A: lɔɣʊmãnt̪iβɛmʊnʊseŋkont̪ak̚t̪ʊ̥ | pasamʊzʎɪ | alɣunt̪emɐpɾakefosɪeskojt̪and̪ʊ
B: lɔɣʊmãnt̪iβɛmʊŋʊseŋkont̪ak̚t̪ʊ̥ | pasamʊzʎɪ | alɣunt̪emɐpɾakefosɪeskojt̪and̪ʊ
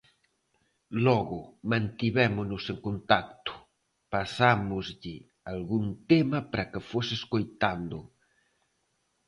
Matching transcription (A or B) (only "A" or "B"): A